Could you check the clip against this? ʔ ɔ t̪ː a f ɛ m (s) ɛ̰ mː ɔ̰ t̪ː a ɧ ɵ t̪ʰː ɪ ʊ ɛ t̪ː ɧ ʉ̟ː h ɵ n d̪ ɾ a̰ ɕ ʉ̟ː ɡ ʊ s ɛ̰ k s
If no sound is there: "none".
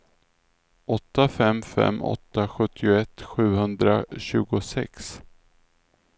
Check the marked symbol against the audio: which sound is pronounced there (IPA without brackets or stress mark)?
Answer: f